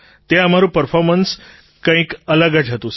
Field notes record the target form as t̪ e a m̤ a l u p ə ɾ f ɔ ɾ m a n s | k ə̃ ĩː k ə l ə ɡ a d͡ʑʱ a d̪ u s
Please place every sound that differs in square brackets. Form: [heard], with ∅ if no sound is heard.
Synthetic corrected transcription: t̪ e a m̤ a [ɾ] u p ə ɾ f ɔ ɾ m [ə] n s | k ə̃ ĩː k ə l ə ɡ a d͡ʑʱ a [t̪] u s